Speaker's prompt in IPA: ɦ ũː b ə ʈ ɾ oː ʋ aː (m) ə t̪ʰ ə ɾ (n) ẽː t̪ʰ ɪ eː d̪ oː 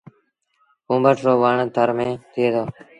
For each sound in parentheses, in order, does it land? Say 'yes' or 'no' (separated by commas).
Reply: no, no